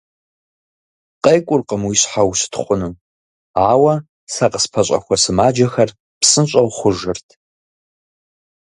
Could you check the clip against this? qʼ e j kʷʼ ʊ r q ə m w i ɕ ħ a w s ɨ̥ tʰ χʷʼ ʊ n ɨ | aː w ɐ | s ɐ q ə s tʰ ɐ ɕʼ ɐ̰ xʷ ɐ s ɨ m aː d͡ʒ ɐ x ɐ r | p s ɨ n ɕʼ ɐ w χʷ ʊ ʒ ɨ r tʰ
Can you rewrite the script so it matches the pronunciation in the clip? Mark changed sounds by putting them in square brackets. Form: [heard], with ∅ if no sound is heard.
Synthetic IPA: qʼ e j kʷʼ ʊ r q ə m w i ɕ ħ a w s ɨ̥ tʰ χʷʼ ʊ n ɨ | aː w ɐ | s ɐ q ə s [pʰ] ɐ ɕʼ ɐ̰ xʷ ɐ s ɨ m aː d͡ʒ ɐ x ɐ r | p s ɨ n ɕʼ ɐ w χʷ ʊ ʒ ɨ r tʰ